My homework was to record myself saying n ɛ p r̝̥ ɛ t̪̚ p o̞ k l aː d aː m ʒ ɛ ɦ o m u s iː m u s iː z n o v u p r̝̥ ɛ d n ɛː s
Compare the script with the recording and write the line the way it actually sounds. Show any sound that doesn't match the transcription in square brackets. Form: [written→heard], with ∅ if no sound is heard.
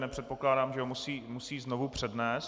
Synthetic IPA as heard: n ɛ p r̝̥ ɛ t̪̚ p o̞ k l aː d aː m ʒ ɛ ɦ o m u s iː m u s iː z n o v u p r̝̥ ɛ d n ɛː s